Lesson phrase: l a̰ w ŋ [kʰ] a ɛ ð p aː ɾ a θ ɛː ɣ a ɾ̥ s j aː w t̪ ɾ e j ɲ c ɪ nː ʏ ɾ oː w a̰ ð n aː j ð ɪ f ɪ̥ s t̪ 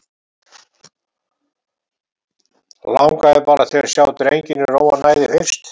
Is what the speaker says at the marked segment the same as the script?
no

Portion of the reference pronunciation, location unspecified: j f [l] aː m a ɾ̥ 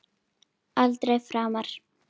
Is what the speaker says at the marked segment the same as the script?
no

